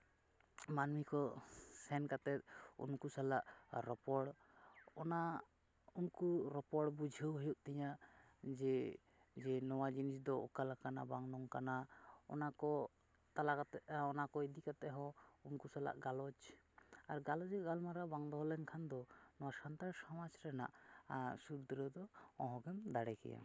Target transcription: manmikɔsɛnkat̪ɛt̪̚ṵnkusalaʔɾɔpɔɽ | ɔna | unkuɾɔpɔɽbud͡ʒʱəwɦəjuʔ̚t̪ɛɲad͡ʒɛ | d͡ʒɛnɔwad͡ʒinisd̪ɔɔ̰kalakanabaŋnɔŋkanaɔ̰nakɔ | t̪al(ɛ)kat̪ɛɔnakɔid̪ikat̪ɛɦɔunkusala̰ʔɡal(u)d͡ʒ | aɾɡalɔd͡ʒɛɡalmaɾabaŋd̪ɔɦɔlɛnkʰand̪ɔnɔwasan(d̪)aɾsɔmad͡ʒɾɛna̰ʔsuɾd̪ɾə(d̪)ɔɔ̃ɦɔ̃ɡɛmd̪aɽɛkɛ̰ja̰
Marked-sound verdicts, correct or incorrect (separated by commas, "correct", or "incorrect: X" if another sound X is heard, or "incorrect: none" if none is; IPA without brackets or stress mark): incorrect: a, incorrect: ɔ, incorrect: t̪, correct